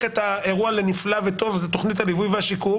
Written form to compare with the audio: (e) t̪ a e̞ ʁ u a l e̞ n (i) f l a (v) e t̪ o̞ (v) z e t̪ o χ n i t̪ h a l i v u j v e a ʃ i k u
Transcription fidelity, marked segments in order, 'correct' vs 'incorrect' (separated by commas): correct, correct, correct, correct